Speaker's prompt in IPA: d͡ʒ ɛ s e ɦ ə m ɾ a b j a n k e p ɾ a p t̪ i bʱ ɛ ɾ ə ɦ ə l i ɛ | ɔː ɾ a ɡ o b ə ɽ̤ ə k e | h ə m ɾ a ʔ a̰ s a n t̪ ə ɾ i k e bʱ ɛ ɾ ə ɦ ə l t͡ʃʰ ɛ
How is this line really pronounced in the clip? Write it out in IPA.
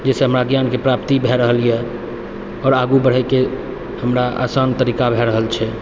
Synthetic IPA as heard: d͡ʒ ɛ s e ɦ ə m ɾ a ɡ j a n k e p ɾ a p t̪ i bʱ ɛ ɾ ə ɦ ə l i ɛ | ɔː ɾ a ɡ u b ə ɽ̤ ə k e | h ə m ɾ a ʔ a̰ s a n t̪ ə ɾ i k a bʱ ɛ ɾ ə ɦ ə l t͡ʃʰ ɛ